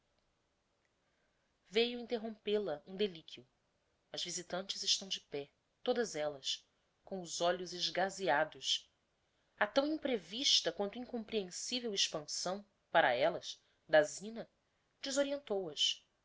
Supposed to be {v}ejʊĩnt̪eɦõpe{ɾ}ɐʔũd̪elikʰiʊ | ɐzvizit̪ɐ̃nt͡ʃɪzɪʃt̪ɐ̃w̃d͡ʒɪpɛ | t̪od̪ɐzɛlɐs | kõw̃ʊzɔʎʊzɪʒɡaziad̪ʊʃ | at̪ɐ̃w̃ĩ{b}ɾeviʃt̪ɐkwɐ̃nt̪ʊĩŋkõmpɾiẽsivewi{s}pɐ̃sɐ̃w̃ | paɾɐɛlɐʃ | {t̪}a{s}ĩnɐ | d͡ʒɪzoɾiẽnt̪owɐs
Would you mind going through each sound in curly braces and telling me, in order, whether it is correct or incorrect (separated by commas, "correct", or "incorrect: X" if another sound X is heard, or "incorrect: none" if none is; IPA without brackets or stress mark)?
correct, incorrect: l, incorrect: p, incorrect: ʃ, incorrect: d̪, incorrect: z